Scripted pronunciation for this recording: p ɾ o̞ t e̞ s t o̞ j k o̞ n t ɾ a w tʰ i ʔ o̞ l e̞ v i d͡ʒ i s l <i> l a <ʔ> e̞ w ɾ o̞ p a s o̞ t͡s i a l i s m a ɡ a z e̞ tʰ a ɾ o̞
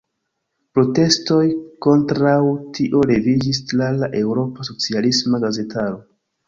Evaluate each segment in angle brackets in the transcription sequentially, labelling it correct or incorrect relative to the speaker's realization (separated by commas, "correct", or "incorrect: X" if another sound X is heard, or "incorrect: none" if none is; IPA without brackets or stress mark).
incorrect: a, correct